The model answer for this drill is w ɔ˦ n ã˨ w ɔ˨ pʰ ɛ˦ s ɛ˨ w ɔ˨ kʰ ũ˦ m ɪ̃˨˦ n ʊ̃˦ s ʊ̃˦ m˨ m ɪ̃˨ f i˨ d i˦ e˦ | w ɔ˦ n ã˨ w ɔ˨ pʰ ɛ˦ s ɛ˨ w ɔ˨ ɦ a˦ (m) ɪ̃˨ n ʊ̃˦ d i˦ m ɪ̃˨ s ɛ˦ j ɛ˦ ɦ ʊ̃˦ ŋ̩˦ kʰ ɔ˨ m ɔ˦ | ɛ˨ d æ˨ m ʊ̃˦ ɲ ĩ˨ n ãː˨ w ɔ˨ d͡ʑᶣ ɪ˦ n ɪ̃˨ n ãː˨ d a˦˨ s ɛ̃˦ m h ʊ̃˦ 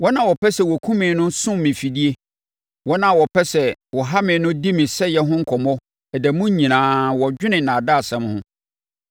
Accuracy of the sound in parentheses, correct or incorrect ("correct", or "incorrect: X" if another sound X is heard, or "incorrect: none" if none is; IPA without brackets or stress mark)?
correct